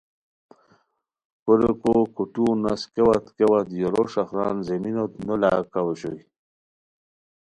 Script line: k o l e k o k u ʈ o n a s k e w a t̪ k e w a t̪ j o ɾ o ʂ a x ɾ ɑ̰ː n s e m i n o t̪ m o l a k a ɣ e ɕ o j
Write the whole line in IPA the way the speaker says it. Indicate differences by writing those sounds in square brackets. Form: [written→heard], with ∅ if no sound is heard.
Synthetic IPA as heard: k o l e k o k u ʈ [o→u] n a s k e w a t̪ k e w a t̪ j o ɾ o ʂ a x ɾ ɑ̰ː n [s→z] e m i n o t̪ [m→n] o l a k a [ɣ→w] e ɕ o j